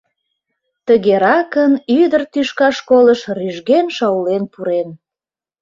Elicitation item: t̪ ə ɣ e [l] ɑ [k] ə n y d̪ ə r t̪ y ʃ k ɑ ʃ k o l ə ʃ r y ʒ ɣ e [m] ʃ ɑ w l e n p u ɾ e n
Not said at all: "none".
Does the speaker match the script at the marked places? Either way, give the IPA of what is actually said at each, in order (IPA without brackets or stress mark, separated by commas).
ɾ, k, n